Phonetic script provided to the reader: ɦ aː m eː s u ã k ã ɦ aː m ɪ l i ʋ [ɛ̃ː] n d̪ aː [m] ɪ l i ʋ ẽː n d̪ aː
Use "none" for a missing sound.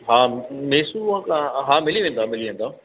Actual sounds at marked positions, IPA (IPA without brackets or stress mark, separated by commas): ẽː, m